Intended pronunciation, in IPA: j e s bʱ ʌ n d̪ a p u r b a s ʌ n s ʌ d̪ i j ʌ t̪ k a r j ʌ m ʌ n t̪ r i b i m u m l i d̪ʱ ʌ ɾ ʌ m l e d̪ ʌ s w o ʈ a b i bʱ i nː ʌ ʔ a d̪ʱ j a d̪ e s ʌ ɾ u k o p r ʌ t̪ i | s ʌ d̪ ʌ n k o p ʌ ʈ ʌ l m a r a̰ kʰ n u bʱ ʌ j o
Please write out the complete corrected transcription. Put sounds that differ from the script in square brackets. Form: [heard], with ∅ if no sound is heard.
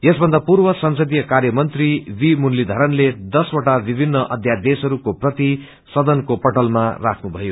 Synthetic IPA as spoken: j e s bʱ ʌ n d̪ a p u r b [ʌ] s ʌ n s ʌ d̪ i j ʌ [∅] k a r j ʌ m ʌ n t̪ r i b i m u [n] l i d̪ʱ ʌ ɾ ʌ [n] l e d̪ ʌ s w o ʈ a b i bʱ i nː ʌ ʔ [ʌ] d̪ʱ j a d̪ e s ʌ ɾ u k o p r ʌ t̪ i | s ʌ d̪ ʌ n k o p ʌ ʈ ʌ l m a r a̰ kʰ n u bʱ ʌ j o